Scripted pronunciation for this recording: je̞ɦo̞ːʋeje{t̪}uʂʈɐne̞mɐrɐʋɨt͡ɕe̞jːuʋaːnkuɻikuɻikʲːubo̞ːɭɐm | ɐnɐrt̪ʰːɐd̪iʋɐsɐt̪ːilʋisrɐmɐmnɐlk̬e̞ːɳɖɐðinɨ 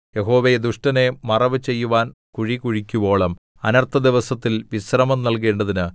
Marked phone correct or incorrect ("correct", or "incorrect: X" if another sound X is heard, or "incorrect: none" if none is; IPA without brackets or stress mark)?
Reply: incorrect: d̪